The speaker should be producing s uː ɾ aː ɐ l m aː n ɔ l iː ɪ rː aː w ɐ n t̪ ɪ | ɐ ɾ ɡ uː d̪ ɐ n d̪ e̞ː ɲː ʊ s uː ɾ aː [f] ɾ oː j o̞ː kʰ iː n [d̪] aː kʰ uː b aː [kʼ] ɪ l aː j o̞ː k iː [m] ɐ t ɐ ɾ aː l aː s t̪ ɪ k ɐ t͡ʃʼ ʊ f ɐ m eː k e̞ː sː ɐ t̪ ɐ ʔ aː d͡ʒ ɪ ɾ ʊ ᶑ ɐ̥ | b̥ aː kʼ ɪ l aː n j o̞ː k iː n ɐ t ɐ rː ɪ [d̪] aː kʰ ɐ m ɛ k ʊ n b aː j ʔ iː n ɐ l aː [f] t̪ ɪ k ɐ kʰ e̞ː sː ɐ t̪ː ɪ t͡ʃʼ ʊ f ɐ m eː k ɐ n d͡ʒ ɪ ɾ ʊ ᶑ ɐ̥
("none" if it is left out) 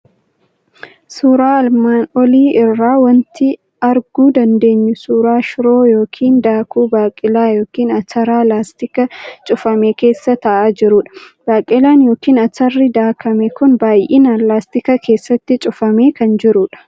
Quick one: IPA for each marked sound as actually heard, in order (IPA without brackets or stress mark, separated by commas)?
ʃ, d̪, kʼ, n, d̪, s